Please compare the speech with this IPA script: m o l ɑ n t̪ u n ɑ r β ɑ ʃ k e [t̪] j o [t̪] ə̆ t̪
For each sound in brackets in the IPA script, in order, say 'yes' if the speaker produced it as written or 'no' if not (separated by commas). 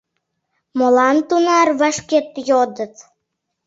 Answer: yes, no